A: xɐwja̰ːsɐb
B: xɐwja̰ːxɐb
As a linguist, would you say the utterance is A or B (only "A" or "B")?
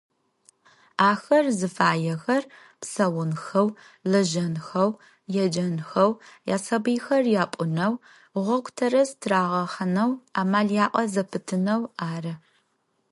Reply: A